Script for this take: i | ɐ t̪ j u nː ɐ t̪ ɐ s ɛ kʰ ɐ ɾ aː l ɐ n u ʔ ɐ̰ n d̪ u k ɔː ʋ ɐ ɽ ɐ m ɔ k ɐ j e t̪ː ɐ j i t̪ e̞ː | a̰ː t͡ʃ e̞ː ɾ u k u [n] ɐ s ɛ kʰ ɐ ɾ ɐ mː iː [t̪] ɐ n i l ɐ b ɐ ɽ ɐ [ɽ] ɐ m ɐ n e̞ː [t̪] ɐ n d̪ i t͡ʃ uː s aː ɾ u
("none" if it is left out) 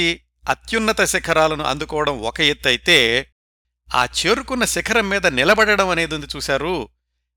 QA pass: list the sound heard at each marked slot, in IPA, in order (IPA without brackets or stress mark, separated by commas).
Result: nː, d̪, ɽ, d̪